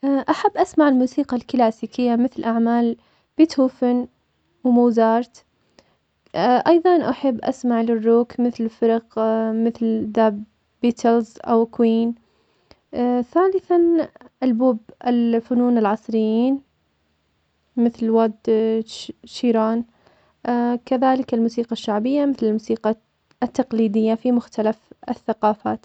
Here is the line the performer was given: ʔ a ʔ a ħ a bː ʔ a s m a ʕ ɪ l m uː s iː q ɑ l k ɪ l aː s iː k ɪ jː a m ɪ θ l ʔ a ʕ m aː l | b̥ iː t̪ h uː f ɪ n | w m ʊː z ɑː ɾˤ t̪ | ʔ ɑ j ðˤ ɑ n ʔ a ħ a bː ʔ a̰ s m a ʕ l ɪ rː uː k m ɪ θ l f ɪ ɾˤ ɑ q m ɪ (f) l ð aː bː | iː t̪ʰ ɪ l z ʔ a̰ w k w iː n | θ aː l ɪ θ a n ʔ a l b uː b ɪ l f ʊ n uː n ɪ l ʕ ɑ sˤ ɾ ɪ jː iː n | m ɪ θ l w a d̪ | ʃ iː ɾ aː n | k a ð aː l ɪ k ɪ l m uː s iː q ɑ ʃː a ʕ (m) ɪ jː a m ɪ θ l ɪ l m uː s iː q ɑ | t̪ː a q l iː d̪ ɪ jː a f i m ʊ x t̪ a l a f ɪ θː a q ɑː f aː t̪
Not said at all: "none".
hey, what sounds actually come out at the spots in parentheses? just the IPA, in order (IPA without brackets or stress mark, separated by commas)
θ, b